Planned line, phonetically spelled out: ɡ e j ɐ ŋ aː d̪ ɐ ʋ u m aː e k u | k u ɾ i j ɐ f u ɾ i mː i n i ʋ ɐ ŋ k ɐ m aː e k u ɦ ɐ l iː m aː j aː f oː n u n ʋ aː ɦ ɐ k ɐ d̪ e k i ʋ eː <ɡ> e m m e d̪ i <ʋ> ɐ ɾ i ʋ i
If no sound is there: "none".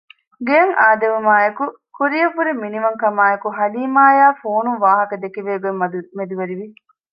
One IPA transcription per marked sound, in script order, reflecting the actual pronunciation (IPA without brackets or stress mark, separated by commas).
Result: ɡ, ʋ